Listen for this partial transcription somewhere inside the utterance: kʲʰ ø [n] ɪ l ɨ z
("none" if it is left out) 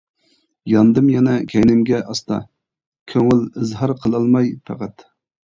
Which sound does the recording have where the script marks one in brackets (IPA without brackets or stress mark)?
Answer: ŋ